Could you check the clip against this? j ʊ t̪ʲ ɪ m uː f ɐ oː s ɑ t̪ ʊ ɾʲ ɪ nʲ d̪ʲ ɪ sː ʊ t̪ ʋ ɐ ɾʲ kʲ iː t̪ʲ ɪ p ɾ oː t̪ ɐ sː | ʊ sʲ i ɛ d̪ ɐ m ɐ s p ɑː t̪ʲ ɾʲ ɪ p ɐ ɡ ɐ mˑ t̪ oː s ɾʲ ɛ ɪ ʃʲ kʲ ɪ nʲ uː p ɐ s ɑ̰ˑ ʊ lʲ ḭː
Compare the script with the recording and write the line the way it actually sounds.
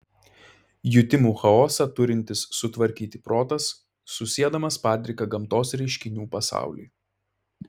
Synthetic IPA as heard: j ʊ t̪ʲ ɪ m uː x ɐ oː s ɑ t̪ ʊ ɾʲ ɪ nʲ t̪ʲ ɪ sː ʊ t̪ ʋ ɐ ɾʲ kʲ iː t̪ʲ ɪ p ɾ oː t̪ ɐ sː | ʊ sʲ i ɛ d̪ ɐ m ɐ s p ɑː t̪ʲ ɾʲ ɪ k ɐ ɡ ɐ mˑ t̪ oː s ɾʲ ɛ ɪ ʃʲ kʲ ɪ nʲ uː p ɐ s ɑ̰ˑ ʊ lʲ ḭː